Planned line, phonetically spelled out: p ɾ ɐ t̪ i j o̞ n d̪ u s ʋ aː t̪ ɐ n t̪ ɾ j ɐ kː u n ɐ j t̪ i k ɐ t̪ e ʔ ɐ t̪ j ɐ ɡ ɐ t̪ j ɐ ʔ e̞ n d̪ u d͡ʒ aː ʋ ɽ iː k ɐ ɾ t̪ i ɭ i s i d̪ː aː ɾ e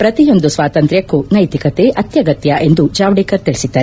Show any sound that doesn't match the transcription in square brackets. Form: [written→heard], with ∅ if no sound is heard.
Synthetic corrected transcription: p ɾ ɐ t̪ i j o̞ n d̪ u s ʋ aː t̪ ɐ n t̪ ɾ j ɐ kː u n ɐ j t̪ i k ɐ t̪ e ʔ ɐ t̪ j ɐ ɡ ɐ t̪ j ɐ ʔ e̞ n d̪ u d͡ʒ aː ʋ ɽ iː k ɐ ɾ t̪ i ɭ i s i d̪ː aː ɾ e